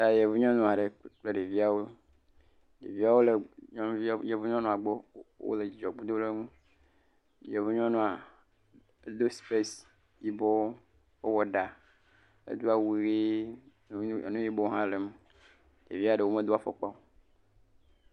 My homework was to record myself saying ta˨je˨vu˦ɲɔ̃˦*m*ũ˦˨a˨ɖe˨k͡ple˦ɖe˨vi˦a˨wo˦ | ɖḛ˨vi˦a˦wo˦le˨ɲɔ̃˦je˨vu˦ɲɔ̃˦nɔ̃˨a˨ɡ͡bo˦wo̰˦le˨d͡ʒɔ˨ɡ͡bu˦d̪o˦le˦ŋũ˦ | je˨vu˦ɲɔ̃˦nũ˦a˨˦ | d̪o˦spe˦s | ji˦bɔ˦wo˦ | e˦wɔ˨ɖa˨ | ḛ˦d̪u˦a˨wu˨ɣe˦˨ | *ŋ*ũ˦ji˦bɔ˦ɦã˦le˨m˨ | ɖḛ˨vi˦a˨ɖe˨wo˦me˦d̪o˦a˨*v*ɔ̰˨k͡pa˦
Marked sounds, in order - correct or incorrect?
incorrect: n, incorrect: n, incorrect: f

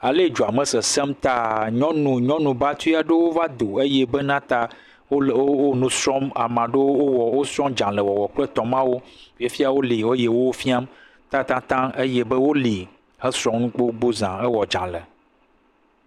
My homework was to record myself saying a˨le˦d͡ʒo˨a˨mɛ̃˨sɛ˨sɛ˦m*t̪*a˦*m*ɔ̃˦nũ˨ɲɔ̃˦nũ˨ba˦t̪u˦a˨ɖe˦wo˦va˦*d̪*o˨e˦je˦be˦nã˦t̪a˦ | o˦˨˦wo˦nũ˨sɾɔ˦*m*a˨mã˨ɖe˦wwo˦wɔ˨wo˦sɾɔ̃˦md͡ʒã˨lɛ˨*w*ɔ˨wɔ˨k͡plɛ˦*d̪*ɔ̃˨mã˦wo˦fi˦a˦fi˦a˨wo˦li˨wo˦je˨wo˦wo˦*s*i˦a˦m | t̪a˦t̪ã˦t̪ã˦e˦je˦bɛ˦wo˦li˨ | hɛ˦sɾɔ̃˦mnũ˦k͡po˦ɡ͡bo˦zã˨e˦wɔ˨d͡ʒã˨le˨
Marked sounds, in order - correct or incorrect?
correct, incorrect: ɲ, correct, correct, correct, incorrect: t̪, incorrect: f

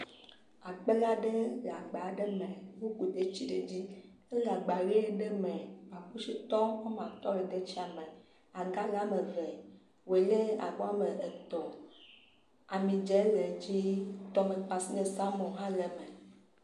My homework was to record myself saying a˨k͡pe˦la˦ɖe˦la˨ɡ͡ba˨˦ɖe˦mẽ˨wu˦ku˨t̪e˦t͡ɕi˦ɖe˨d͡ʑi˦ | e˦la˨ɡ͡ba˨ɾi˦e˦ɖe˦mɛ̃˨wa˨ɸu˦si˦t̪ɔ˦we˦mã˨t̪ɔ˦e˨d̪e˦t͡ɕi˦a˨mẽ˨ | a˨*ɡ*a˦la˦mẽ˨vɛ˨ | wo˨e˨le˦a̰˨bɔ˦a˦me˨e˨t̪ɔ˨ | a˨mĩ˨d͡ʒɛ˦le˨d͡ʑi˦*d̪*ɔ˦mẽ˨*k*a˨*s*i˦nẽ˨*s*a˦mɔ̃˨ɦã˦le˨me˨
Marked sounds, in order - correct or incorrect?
correct, incorrect: t̪, incorrect: k͡p, correct, correct

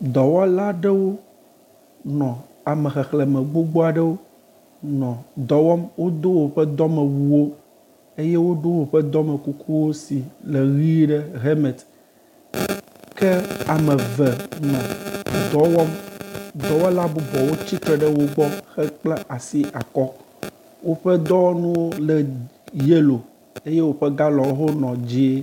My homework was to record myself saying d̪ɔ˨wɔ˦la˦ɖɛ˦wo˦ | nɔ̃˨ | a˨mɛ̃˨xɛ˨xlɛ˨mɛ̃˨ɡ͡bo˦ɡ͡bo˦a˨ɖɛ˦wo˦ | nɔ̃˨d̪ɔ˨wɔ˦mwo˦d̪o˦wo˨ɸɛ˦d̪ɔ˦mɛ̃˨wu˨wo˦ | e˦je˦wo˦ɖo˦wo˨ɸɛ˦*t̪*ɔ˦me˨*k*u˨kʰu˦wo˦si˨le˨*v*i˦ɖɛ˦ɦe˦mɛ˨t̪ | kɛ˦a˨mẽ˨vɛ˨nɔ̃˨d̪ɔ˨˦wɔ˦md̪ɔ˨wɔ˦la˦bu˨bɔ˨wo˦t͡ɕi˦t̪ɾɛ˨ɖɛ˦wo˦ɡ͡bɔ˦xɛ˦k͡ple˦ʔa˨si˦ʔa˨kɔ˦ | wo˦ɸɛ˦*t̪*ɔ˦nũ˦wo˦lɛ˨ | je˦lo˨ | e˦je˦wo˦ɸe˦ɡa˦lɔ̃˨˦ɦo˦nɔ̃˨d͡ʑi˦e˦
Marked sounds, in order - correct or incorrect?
incorrect: d̪, correct, incorrect: ɣ, incorrect: d̪

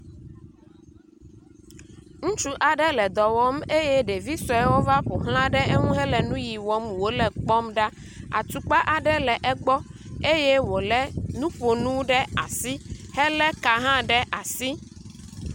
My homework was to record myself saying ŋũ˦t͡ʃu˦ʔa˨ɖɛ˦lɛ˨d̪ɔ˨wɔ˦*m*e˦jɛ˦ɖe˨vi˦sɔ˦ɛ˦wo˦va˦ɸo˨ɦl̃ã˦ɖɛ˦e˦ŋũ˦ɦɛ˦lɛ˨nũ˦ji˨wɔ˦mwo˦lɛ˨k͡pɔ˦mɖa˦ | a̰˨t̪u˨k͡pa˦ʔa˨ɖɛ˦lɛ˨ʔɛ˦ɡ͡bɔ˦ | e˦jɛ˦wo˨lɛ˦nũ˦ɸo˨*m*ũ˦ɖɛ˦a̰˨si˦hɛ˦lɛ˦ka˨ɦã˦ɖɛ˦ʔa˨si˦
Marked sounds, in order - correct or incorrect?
correct, incorrect: n

